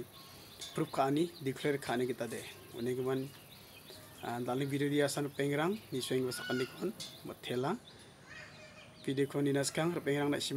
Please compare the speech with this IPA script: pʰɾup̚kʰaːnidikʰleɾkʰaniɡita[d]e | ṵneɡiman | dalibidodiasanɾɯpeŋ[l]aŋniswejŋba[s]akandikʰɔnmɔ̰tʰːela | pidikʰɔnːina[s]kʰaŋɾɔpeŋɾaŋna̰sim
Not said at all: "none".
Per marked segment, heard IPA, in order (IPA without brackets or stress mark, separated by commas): d, ɾ, s, s